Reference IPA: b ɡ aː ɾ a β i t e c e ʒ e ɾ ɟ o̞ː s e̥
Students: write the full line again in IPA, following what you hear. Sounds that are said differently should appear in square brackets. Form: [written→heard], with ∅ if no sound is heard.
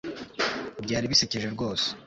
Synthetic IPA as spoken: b [ɡ→ɟ] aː ɾ [a→i] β i [t→s] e c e ʒ e ɾ [ɟ→ɡ] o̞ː s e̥